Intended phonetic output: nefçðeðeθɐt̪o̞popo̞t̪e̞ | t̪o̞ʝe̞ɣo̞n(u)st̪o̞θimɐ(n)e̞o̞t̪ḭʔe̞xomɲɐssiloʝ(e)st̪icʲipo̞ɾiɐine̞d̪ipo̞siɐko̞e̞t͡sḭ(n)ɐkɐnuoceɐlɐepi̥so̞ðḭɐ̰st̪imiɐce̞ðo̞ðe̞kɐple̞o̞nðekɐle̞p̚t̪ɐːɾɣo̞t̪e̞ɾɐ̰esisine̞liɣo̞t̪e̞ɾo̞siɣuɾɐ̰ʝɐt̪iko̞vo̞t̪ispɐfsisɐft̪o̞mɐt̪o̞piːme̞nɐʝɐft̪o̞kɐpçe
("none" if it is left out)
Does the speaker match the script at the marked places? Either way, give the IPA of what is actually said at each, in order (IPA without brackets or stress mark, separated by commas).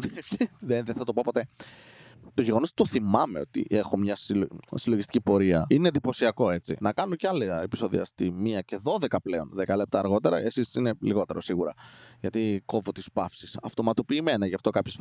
o, m, i, n